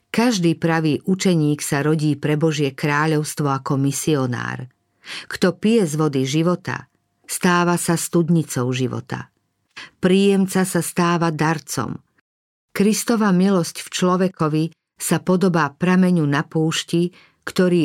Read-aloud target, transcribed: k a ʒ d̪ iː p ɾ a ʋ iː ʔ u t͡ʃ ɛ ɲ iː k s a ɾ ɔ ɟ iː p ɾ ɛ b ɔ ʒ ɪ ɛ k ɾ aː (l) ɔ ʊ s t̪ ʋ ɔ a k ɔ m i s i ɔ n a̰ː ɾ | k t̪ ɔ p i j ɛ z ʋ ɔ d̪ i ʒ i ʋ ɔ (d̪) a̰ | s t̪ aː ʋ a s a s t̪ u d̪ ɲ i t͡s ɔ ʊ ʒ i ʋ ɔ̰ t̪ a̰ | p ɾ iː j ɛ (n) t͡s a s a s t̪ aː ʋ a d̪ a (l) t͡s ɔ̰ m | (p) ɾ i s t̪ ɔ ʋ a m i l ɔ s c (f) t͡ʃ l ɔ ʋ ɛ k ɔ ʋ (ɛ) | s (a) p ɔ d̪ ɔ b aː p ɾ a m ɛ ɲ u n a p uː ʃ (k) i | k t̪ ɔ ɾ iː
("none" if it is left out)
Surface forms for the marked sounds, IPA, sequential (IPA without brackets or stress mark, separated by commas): ʎ, t̪, m, ɾ, k, f, i, a, c